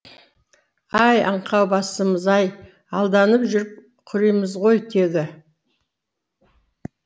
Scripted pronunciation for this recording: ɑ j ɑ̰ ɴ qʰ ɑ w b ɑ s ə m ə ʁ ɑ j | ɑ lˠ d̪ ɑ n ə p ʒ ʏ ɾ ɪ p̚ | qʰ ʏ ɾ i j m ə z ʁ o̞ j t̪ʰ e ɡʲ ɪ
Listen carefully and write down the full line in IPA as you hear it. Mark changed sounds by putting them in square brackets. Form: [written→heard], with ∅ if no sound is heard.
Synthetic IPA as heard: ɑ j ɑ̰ ɴ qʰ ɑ w b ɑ s ə m ə [ʁ→z] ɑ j | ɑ lˠ d̪ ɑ n ə p ʒ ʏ ɾ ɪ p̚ | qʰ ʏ ɾ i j m ə z ʁ o̞ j t̪ʰ e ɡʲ ɪ

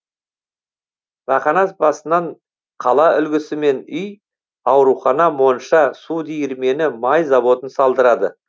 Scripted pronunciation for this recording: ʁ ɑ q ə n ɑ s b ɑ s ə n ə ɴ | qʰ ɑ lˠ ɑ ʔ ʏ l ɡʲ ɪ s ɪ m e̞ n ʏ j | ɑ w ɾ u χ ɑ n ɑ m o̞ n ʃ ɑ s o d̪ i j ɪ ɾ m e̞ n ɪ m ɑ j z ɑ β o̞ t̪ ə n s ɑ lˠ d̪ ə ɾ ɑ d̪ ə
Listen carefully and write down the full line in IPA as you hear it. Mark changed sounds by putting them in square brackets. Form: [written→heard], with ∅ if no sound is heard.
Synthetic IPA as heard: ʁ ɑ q [ə→ɑ] n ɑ s b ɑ s ə n [ə→ɑ] ɴ | qʰ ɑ lˠ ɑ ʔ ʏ l ɡʲ ɪ s ɪ m e̞ n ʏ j | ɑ w ɾ u χ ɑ n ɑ m o̞ n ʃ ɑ s [o→u] d̪ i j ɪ ɾ m e̞ n ɪ m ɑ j z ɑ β o̞ t̪ ə n s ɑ lˠ d̪ ə ɾ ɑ d̪ ə

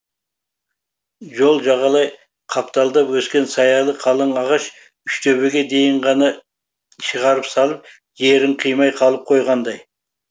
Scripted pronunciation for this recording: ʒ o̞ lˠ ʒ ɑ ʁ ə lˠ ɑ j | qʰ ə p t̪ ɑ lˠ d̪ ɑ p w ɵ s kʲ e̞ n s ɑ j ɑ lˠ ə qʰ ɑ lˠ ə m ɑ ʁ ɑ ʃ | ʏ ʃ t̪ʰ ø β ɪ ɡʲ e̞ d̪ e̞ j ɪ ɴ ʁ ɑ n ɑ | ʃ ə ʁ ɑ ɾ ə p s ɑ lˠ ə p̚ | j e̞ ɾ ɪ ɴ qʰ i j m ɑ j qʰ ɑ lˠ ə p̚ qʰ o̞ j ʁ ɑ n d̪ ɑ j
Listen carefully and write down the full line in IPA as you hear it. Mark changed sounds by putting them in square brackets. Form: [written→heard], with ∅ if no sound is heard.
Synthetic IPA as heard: ʒ o̞ lˠ ʒ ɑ ʁ [ə→ɑ] lˠ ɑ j | qʰ [ə→ɑ] p t̪ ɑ lˠ d̪ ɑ p w ɵ s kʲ e̞ n s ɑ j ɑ lˠ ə qʰ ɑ lˠ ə [m→ɴ] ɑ ʁ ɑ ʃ | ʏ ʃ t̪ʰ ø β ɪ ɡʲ e̞ d̪ e̞ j ɪ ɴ ʁ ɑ n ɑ | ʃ ə ʁ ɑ ɾ ə p s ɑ lˠ ə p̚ | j e̞ ɾ ɪ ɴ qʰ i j m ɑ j qʰ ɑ lˠ ə p̚ qʰ o̞ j ʁ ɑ n d̪ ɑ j

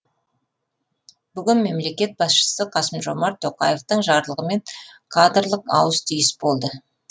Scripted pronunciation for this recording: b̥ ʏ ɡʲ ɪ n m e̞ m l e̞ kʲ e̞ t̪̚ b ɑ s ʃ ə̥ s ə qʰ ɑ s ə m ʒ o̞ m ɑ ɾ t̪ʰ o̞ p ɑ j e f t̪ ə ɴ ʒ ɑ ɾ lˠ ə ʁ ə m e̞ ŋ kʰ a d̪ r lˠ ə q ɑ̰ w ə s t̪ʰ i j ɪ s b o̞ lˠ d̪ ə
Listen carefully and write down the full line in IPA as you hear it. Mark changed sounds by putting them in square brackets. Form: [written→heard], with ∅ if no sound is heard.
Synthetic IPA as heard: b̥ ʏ ɡʲ ɪ n m e̞ m l e̞ kʲ e̞ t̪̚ b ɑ s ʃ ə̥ s ə qʰ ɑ s ə m ʒ o̞ m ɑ ɾ t̪ʰ o̞ [p→q] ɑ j e f t̪ ə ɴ ʒ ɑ ɾ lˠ ə ʁ ə m e̞ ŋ kʰ a d̪ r lˠ ə q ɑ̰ w ə s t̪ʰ i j ɪ s b o̞ lˠ d̪ ə

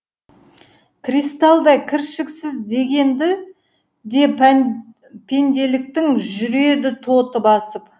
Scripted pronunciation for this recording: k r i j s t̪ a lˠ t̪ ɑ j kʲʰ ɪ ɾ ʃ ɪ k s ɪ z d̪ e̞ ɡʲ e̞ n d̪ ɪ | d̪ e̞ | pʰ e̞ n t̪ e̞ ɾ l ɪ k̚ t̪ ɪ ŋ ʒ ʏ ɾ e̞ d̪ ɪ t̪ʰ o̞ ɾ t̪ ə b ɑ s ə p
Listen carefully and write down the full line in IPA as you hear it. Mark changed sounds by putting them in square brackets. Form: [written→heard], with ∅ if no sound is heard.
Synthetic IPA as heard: k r i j s t̪ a lˠ [t̪→d̪] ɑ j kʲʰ ɪ ɾ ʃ ɪ k s ɪ z d̪ e̞ ɡʲ e̞ n d̪ ɪ | d̪ e̞ | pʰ e̞ n [t̪→d̪] e̞ [ɾ→∅] l ɪ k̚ t̪ ɪ ŋ ʒ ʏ ɾ e̞ d̪ ɪ t̪ʰ o̞ [ɾ→∅] t̪ ə b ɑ s ə p

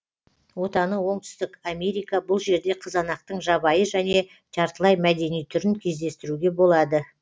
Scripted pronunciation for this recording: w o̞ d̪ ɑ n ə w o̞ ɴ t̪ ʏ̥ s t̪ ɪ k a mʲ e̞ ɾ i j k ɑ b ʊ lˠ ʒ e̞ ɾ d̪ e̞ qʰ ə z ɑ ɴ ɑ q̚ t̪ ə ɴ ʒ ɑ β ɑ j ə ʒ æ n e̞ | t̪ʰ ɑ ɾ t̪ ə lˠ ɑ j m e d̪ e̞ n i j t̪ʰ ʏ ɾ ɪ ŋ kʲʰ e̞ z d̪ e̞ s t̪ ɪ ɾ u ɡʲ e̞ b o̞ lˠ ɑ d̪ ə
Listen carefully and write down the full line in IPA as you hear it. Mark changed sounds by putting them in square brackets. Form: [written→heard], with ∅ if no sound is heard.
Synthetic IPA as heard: w o̞ [d̪→t̪] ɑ n ə w o̞ ɴ t̪ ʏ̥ s t̪ ɪ k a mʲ e̞ ɾ i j k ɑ b ʊ lˠ ʒ e̞ ɾ d̪ e̞ qʰ ə z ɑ [ɴ→n] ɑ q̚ t̪ ə ɴ ʒ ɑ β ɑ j ə ʒ æ n e̞ | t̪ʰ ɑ ɾ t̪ ə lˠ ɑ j m [e→æ] d̪ e̞ n i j t̪ʰ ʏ ɾ ɪ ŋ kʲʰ e̞ z d̪ e̞ s t̪ ɪ ɾ u ɡʲ e̞ b o̞ lˠ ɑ d̪ ə

